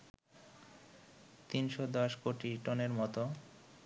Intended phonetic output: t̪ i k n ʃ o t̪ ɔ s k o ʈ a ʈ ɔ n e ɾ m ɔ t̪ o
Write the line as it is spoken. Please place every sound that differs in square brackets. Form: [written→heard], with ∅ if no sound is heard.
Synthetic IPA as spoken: t̪ i [k→∅] n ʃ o [t̪→d̪] ɔ [s→ʃ] k o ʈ [a→i] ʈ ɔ n e ɾ m ɔ t̪ o